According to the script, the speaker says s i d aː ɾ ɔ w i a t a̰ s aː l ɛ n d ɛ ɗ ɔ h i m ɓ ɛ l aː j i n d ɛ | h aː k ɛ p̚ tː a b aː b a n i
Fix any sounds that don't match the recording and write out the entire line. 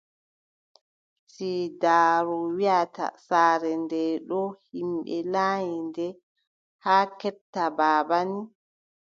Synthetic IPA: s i d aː ɾ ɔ w i a t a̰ s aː ɾ ɛ n d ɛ ɗ ɔ h i m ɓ ɛ l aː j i n d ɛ | h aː k ɛ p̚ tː a b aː b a n i